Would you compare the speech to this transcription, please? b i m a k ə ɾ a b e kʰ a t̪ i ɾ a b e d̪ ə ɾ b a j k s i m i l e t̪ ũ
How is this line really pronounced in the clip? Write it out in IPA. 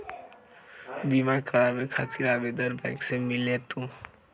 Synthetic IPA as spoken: b i m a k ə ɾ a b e kʰ a t̪ i ɾ a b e d̪ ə ɾ b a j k s e m i l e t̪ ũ